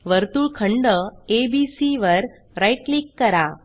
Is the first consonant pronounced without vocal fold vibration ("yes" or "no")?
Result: no